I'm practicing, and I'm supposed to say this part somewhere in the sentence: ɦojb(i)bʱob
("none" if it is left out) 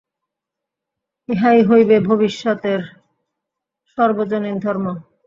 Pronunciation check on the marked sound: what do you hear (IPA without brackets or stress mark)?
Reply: e